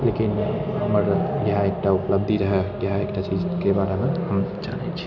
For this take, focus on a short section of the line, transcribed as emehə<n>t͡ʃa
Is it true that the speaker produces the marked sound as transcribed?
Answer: no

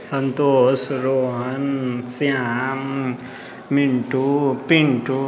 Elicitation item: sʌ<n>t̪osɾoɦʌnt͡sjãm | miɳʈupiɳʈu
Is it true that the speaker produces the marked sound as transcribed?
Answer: yes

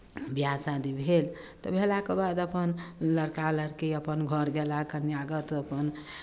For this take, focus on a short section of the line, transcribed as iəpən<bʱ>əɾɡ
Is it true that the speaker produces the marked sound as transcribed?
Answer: no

